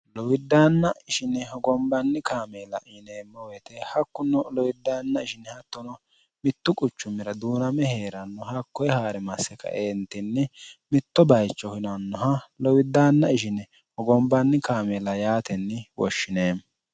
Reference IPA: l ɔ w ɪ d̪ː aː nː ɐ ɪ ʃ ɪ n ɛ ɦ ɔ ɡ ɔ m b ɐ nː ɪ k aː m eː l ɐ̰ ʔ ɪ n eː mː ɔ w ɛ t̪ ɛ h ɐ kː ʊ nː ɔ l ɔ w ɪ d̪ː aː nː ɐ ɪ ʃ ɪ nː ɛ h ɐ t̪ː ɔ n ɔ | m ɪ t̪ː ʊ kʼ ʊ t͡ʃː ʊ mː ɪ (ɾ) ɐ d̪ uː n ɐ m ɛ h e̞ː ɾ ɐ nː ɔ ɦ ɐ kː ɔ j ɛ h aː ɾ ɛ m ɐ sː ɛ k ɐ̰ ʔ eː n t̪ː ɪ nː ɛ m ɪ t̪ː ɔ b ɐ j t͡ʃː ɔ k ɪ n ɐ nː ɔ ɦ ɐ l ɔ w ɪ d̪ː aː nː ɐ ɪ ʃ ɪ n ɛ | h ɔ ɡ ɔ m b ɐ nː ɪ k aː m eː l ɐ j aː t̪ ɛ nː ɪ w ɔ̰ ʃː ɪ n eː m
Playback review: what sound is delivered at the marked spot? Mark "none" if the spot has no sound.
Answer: ɾ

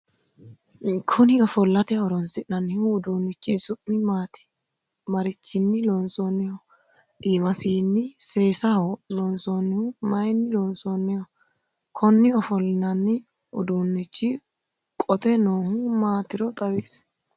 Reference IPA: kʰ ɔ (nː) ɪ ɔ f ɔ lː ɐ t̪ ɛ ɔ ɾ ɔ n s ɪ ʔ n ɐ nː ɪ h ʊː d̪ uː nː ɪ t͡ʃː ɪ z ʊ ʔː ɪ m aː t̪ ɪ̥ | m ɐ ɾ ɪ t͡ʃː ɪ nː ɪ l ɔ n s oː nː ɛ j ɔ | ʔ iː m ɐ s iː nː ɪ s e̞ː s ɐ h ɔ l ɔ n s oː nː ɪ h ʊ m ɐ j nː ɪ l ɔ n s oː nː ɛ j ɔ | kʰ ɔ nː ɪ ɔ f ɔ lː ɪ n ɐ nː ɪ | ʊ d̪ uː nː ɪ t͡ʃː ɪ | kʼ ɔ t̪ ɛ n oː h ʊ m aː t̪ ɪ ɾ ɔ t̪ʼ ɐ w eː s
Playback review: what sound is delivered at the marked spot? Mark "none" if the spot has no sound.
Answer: n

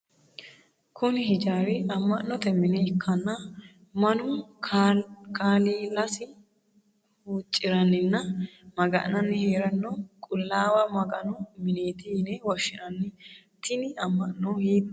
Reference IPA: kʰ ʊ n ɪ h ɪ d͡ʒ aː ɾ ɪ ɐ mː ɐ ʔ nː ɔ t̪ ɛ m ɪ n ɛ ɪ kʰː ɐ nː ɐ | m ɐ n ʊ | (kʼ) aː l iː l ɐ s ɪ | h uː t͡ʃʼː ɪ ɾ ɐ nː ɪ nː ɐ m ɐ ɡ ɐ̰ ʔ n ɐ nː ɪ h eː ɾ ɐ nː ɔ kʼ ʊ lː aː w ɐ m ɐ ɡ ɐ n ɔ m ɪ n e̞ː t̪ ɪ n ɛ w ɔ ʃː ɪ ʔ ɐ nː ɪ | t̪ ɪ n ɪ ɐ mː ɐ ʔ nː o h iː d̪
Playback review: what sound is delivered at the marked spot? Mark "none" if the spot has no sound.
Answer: k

